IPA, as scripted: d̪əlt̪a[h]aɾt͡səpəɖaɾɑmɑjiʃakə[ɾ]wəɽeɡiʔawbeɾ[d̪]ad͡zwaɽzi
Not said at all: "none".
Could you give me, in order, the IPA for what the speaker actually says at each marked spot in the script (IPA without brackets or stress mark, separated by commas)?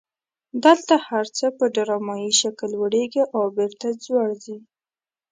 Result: h, l, t̪